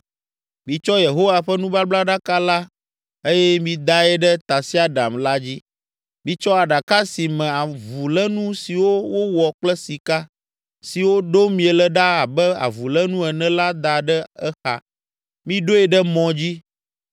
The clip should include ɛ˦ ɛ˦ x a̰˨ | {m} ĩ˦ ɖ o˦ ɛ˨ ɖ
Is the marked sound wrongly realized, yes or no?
no